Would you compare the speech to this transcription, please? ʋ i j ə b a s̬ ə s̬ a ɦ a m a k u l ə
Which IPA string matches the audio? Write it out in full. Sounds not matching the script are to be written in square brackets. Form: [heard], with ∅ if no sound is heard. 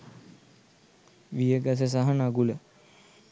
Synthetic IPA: ʋ i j ə [ɡ] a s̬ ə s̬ a ɦ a [n] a [ɡ] u l ə